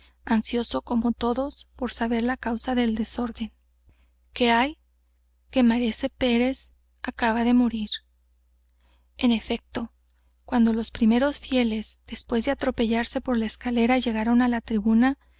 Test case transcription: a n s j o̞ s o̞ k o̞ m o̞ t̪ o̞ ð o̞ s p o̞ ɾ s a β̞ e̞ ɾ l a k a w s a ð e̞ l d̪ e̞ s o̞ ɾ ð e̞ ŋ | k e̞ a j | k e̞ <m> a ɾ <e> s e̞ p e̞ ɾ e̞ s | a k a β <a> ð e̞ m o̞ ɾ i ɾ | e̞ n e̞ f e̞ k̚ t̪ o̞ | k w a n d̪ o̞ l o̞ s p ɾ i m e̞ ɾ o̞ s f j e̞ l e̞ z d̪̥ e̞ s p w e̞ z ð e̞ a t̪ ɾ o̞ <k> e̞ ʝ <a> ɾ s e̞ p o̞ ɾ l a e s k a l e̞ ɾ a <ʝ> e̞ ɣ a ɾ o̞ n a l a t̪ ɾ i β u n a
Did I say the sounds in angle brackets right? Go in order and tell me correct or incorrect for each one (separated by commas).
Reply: correct, correct, correct, incorrect, correct, correct